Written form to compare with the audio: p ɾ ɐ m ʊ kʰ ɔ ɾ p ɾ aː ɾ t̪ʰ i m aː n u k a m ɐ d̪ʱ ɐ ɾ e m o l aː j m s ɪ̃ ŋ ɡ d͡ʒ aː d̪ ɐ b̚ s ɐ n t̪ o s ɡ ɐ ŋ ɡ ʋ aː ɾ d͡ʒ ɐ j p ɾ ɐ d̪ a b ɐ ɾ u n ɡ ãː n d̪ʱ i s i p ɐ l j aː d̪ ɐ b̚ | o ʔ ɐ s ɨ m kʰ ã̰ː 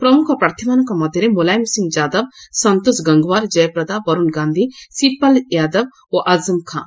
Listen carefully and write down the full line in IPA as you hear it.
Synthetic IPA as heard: p ɾ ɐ m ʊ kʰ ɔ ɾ p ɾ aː ɾ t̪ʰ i m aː n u k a m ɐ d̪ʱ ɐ ɾ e m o l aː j m s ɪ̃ ŋ ɡ d͡ʒ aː d̪ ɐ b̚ s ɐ n t̪ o s ɡ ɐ ŋ ɡ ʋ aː ɾ d͡ʒ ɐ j p ɾ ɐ d̪ a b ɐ ɾ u n ɡ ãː n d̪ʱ i s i p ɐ l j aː d̪ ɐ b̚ | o ʔ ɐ z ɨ m kʰ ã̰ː

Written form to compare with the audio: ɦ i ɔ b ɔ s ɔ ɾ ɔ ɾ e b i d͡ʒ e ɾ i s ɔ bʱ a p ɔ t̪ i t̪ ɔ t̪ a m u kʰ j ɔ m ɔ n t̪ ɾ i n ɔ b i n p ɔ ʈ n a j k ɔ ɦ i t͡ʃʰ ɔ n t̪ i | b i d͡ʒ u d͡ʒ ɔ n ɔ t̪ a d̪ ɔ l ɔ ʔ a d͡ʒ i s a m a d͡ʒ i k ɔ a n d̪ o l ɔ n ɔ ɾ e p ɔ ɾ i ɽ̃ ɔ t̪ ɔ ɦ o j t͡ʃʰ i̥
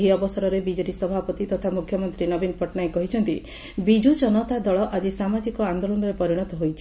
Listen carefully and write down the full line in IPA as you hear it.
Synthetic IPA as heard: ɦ i ɔ b ɔ s ɔ ɾ ɔ ɾ e b i d͡ʒ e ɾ i s ɔ bʱ a p ɔ t̪ i t̪ ɔ t̪ʰ a m u kʰ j ɔ m ɔ n t̪ ɾ i n ɔ b i n p ɔ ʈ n a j k ɔ ɦ i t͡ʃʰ ɔ n t̪ i | b i d͡ʒ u d͡ʒ ɔ n ɔ t̪ a d̪ ɔ ɭ ɔ ʔ a d͡ʒ i s a m a d͡ʒ i k ɔ a n d̪ o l ɔ n ɔ ɾ e p ɔ ɾ i ɽ̃ ɔ t̪ ɔ ɦ o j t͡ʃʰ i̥

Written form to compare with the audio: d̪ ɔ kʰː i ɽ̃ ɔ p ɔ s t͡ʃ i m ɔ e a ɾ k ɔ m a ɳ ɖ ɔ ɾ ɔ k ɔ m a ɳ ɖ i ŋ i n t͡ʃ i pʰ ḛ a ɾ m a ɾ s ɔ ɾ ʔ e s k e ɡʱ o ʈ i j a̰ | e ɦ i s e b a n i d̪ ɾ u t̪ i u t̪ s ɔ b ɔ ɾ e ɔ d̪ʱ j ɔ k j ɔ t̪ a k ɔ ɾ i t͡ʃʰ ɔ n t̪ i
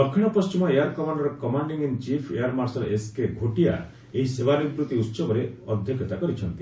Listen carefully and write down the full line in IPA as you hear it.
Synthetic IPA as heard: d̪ ɔ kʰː i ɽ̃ ɔ p ɔ s t͡ʃ i m ɔ e a ɾ k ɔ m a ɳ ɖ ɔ ɾ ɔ k ɔ m a ɳ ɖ i ŋ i n t͡ʃ i pʰ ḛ a ɾ m a ɾ s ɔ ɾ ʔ e s k e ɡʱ o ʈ i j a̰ | e ɦ i s e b a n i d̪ ɾ u t̪ i u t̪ s ɔ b ɔ ɾ e ɔ d̪ʱ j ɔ k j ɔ t̪ a k ɔ ɾ i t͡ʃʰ ɔ n t̪ i

